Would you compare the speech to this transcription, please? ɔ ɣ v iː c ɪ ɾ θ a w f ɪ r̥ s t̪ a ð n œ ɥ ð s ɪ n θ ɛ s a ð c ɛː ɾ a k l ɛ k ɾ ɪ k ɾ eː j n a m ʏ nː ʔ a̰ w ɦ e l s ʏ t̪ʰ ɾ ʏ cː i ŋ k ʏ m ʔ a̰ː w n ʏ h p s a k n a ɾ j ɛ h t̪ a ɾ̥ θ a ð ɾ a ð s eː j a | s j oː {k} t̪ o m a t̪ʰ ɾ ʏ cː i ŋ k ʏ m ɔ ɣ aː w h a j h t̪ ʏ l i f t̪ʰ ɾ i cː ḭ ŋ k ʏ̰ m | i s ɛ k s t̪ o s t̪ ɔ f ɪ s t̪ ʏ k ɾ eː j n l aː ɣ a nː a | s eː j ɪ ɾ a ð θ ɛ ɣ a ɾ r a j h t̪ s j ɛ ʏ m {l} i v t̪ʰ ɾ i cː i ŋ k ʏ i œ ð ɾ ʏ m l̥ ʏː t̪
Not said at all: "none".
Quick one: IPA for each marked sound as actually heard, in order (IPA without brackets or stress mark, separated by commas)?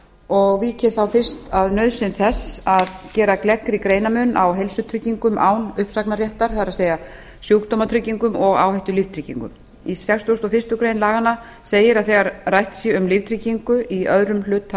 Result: k, l